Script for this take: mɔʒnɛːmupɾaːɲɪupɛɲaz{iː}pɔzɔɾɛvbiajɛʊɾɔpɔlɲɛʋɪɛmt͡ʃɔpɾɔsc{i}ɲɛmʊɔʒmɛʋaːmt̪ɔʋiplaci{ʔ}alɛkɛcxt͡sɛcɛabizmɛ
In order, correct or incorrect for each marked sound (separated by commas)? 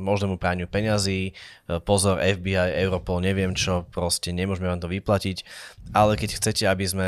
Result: correct, incorrect, incorrect